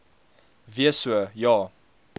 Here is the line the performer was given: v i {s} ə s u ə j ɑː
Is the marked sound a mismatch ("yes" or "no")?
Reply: yes